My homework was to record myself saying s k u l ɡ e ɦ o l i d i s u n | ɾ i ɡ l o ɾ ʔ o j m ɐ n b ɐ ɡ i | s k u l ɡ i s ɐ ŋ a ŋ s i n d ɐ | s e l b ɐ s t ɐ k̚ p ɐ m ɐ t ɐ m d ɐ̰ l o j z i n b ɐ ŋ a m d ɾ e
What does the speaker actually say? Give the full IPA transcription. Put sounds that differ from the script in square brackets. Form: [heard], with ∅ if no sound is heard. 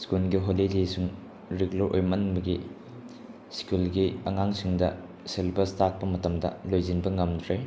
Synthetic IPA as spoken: s k u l ɡ [i] ɦ o l i d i s u [ŋ] | ɾ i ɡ l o ɾ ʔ o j m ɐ n b ɐ ɡ i | s k u l ɡ i [∅] ɐ ŋ a ŋ s i [ŋ] d ɐ | s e l b ɐ s t [a] k̚ p ɐ m ɐ t ɐ m d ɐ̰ l o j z i n b ɐ ŋ [ɐ] m d ɾ e

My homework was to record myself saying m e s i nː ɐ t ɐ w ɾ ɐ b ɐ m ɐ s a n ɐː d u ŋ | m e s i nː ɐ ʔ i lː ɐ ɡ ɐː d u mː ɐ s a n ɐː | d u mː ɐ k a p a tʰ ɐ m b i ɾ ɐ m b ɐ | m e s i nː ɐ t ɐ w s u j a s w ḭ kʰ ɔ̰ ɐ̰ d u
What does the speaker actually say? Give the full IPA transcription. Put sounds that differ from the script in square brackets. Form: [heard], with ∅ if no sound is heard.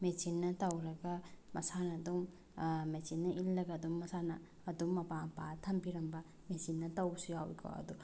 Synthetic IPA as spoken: m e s i nː ɐ t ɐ w ɾ ɐ [ɡ] ɐ m ɐ s a n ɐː d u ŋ | m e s i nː ɐ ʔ i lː ɐ ɡ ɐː d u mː ɐ s a n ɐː | d u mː ɐ [p] a p a tʰ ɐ m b i ɾ ɐ m b ɐ | m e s i nː ɐ t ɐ w s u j a [∅] w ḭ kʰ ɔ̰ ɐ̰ d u

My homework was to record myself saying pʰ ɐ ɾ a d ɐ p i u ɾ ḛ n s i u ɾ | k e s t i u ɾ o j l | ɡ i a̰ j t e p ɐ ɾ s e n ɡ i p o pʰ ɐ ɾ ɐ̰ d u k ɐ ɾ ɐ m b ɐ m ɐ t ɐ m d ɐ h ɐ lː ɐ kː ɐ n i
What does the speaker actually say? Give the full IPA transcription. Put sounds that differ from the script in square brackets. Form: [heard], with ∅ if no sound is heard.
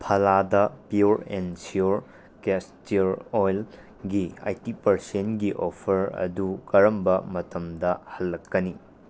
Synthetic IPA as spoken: pʰ ɐ [l] a d ɐ p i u ɾ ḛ n s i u ɾ | k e s t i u ɾ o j l | ɡ i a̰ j t [i] p ɐ ɾ s e n ɡ i [ʔ] o pʰ ɐ ɾ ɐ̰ d u k ɐ ɾ ɐ m b ɐ m ɐ t ɐ m d ɐ h ɐ lː ɐ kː ɐ n i

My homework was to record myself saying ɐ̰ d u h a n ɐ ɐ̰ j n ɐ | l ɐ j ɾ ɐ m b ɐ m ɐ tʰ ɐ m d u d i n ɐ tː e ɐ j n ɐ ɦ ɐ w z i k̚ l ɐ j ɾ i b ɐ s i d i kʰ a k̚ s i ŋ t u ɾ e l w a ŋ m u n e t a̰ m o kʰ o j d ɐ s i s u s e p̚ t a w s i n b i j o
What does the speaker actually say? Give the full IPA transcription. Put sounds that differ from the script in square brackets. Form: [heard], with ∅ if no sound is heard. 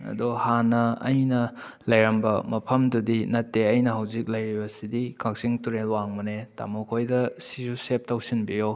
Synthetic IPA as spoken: ɐ̰ d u h a n ɐ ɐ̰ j n ɐ | l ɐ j ɾ ɐ m b ɐ m ɐ [pʰ] ɐ m d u d i n ɐ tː e ɐ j n ɐ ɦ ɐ w z i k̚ l ɐ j ɾ i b ɐ s i d i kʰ a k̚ s i ŋ t u ɾ e l w a ŋ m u n e t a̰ m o kʰ o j d ɐ s i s u s e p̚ t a w s i n b i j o

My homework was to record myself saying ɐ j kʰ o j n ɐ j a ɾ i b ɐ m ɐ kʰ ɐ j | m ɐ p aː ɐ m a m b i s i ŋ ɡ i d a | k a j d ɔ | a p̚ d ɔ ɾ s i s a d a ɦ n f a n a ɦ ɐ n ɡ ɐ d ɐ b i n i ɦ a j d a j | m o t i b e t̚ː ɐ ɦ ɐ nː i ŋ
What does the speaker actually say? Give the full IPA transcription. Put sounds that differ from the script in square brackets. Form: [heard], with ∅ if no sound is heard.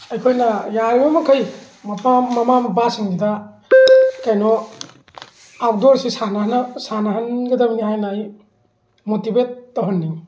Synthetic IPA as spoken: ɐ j kʰ o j n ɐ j a ɾ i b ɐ m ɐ kʰ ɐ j | m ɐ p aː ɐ m a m b [a] s i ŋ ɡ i d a | k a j [n] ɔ | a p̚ d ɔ ɾ s i s a [n] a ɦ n [s] a n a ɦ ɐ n ɡ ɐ d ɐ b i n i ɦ a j [n] a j | m o t i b e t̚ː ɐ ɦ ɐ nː i ŋ

